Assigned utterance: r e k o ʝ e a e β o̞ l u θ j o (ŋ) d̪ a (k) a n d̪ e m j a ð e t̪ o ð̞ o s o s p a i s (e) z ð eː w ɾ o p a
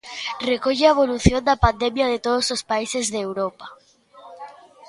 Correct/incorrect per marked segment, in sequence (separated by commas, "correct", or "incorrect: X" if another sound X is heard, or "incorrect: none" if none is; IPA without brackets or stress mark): incorrect: n, incorrect: p, correct